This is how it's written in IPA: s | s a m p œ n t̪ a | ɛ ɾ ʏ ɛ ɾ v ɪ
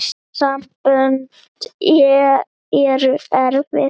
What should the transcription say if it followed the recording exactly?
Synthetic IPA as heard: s | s a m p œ n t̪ ɛ | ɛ ɾ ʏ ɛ ɾ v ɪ